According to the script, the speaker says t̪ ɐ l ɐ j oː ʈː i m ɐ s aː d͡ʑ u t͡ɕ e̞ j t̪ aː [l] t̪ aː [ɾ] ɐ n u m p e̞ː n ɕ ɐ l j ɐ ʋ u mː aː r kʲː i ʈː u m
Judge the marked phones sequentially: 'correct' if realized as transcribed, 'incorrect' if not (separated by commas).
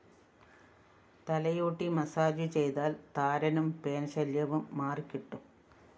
correct, correct